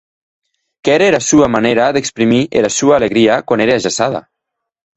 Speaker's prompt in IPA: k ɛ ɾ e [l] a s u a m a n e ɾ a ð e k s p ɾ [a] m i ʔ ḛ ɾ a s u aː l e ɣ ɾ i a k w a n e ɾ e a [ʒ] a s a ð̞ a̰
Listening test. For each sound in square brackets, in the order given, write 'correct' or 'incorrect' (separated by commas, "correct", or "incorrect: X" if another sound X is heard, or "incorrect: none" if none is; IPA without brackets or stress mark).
incorrect: ɾ, incorrect: i, correct